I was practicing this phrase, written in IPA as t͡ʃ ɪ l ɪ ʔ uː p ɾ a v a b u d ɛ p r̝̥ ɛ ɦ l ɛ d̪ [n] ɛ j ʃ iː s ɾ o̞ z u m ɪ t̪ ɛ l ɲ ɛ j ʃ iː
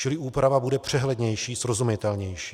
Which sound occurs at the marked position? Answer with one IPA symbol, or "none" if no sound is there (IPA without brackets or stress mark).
ɲ